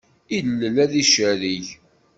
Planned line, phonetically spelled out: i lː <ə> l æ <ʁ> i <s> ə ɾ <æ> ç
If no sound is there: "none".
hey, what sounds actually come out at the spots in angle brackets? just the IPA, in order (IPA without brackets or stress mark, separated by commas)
ə, ð, ʃ, i